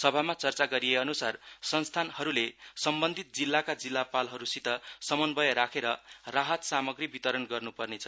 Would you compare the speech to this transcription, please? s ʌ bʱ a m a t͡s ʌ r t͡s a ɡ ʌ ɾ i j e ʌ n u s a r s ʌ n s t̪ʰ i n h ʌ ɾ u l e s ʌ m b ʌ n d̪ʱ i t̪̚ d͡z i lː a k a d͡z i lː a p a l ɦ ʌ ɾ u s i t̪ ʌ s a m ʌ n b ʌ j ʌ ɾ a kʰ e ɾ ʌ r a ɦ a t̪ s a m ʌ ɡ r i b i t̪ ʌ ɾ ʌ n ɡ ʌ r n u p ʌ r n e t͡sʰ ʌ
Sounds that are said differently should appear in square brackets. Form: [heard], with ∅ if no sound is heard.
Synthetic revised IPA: s ʌ bʱ a m a t͡s ʌ r t͡s a ɡ ʌ ɾ i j e ʌ n u s a r s ʌ n s t̪ʰ [a] n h ʌ ɾ u l e s ʌ m b ʌ n d̪ʱ i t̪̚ d͡z i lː a k a d͡z i lː a p a l ɦ ʌ ɾ u s i t̪ ʌ s [ʌ] m ʌ n b ʌ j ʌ ɾ a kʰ e ɾ ʌ r a ɦ [ʌ] t̪ s a m ʌ ɡ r i b i t̪ ʌ ɾ ʌ n ɡ ʌ r n u p ʌ r n e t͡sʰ ʌ

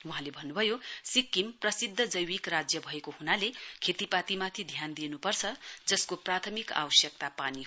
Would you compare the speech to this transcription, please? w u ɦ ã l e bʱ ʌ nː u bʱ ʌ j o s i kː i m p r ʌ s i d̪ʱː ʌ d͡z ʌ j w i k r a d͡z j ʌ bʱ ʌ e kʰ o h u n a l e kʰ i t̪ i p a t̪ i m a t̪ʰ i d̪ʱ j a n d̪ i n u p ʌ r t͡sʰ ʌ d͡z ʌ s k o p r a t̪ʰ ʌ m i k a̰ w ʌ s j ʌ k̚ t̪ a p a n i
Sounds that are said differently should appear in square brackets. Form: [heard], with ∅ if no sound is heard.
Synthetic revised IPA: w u ɦ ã l e bʱ ʌ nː u bʱ ʌ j o s i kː i m p r ʌ s i d̪ʱː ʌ d͡z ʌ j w i k r a d͡z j ʌ bʱ ʌ e [k] o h u n a l e kʰ [e] t̪ i p a t̪ i m a t̪ʰ i d̪ʱ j a n d̪ i n u p ʌ r t͡sʰ ʌ d͡z ʌ s k o p r a t̪ʰ ʌ m i k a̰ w ʌ s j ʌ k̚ t̪ a p a n i

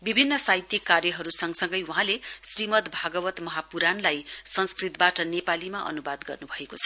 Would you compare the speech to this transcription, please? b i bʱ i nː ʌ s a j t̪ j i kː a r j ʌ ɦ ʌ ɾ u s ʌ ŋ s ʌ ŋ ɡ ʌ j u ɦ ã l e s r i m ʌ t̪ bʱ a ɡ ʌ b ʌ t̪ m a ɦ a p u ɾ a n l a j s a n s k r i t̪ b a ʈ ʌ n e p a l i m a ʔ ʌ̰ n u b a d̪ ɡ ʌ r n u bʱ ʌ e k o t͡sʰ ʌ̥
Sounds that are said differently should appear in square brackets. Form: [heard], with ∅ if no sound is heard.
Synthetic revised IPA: b i bʱ i nː ʌ s a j t̪ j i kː a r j ʌ ɦ ʌ ɾ u s ʌ ŋ s ʌ ŋ ɡ ʌ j u ɦ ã l e s r i m ʌ t̪ bʱ a ɡ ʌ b ʌ t̪ m [ʌ] ɦ a p u ɾ a n l a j s [ʌ] n s k r i t̪ b a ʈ ʌ n e p a l i m a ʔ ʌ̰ n u b a d̪ ɡ ʌ r n u bʱ ʌ e k o t͡sʰ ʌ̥

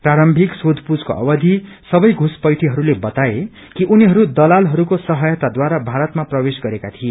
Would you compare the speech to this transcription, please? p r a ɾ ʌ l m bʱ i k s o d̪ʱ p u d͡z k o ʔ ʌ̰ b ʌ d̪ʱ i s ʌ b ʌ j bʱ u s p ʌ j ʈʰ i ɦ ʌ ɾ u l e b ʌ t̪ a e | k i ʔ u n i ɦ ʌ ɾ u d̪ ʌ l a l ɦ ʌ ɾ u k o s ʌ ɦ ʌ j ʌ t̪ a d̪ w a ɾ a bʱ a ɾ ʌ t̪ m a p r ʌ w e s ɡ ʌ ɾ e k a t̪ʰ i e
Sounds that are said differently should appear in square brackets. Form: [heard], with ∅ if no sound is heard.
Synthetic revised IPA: p r a ɾ ʌ [∅] m bʱ i k s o d̪ʱ p u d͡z k o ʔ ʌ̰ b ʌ d̪ʱ i s ʌ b ʌ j [ɡʱ] u s p ʌ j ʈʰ i ɦ ʌ ɾ u l e b ʌ t̪ a e | k i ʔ u n i ɦ ʌ ɾ u d̪ ʌ l a l ɦ ʌ ɾ u k o s ʌ ɦ ʌ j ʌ t̪ a d̪ w a ɾ a bʱ a ɾ ʌ t̪ m a p r ʌ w e s ɡ ʌ ɾ e k a t̪ʰ i e

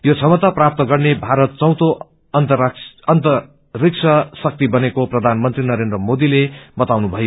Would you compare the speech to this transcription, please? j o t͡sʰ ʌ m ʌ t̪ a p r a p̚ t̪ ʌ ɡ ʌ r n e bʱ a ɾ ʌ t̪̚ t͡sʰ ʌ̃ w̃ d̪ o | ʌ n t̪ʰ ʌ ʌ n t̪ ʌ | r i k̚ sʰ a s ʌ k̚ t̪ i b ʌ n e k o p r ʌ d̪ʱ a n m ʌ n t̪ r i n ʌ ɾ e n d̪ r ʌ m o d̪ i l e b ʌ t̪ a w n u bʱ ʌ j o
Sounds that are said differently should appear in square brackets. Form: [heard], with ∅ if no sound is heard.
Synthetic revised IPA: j o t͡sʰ ʌ m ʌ t̪ a p r a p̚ t̪ ʌ ɡ ʌ r n e bʱ a ɾ ʌ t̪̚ [t͡s] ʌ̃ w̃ [t̪] o | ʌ n [t̪] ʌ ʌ n t̪ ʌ | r i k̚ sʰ [ʌ] s ʌ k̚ t̪ i b ʌ n e k o p r ʌ d̪ʱ a n m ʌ n t̪ r i n ʌ ɾ e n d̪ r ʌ m o d̪ i l e b ʌ t̪ a w n u bʱ ʌ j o

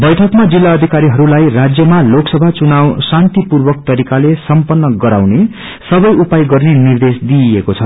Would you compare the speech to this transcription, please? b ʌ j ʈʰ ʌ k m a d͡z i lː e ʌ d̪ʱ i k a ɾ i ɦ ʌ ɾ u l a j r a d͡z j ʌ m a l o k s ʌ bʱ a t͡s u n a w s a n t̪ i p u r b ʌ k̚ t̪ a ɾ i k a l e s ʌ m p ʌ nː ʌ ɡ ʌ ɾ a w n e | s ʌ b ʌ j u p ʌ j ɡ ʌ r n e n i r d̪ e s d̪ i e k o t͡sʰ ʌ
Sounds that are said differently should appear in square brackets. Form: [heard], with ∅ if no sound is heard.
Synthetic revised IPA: b ʌ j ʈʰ ʌ k m a d͡z i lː [a] ʌ d̪ʱ i k a ɾ i ɦ ʌ ɾ u l a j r a d͡z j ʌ m a l o k s ʌ bʱ a t͡s u n a w s a n t̪ i p u r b ʌ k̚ t̪ [ʌ] ɾ i k a l e s ʌ m p ʌ nː ʌ ɡ ʌ ɾ a w n e | s ʌ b ʌ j u p [a] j ɡ ʌ r n e n i r d̪ e s d̪ i e k o t͡sʰ ʌ

